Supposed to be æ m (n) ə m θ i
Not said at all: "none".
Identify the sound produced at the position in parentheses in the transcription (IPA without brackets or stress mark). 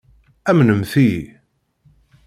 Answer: n